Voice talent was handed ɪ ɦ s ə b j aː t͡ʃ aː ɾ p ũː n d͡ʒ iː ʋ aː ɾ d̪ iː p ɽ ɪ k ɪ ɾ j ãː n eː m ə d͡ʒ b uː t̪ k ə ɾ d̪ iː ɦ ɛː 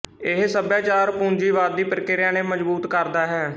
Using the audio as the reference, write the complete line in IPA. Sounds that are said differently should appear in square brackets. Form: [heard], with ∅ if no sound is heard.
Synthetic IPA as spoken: ɪ ɦ s ə b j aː t͡ʃ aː ɾ p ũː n d͡ʒ iː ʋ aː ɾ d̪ iː p [ɾ] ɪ k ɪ ɾ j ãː n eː m ə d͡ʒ b uː t̪ k ə ɾ d̪ [aː] ɦ ɛː